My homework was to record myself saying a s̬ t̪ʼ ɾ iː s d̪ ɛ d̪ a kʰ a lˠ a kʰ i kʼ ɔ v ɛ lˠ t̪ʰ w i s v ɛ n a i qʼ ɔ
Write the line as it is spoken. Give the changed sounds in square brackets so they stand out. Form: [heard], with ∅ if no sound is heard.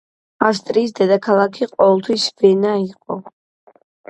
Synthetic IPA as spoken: a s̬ t̪ʼ ɾ iː s d̪ ɛ d̪ a kʰ a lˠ a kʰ i [qʼ] ɔ v ɛ lˠ t̪ʰ w i s v ɛ n a i qʼ ɔ